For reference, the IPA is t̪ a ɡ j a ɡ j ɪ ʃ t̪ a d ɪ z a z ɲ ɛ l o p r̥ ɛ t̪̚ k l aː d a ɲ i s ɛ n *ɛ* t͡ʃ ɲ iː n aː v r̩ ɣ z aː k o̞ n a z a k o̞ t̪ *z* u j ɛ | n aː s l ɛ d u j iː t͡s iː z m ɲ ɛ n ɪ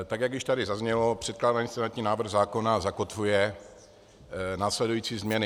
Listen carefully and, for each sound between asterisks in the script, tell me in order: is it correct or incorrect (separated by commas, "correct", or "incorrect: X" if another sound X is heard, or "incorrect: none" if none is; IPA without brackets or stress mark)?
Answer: incorrect: a, incorrect: v